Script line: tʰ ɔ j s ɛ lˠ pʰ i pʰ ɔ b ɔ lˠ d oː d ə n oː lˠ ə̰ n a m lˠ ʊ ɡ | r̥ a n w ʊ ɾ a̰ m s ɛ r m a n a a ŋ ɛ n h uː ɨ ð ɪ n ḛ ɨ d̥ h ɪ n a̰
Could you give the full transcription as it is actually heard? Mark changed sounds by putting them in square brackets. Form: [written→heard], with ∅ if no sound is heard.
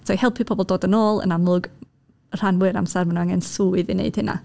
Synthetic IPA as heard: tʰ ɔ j [s→h] ɛ lˠ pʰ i pʰ ɔ b ɔ lˠ d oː d ə n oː lˠ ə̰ n a m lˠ ʊ ɡ | r̥ a n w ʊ ɾ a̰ m s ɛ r m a n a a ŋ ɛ n [h→s] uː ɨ ð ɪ n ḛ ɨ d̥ h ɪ n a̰